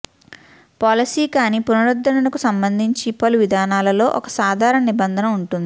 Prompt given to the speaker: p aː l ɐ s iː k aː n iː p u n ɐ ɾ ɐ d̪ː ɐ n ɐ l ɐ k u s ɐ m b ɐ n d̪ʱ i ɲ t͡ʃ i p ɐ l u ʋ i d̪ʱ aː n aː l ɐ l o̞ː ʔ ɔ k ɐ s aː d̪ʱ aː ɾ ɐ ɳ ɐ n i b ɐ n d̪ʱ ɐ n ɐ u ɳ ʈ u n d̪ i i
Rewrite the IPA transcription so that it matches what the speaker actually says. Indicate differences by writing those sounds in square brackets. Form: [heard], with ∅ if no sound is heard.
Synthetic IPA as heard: p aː l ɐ s iː k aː n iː p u n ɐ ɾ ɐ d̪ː ɐ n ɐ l ɐ k u s ɐ m b ɐ n d̪ʱ i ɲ t͡ʃ i p ɐ l u ʋ i d̪ʱ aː n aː l ɐ l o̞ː ʔ ɔ k ɐ s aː d̪ʱ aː ɾ ɐ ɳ ɐ n i b ɐ n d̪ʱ ɐ n ɐ u ɳ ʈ u n d̪ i i